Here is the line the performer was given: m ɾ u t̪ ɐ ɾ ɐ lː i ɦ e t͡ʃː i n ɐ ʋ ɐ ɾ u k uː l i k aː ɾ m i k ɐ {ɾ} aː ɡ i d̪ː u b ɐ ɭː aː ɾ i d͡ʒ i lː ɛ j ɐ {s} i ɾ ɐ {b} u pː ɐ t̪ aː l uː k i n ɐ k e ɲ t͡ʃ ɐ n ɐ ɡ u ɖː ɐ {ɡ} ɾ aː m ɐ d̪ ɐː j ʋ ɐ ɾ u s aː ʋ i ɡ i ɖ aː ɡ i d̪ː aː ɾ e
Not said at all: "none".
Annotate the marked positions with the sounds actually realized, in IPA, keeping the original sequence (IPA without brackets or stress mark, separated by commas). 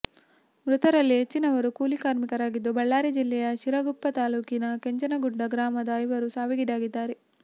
ɾ, ʃ, ɡ, ɡ